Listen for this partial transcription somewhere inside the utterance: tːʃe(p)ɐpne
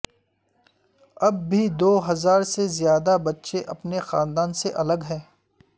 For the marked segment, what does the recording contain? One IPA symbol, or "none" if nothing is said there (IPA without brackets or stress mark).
ʔ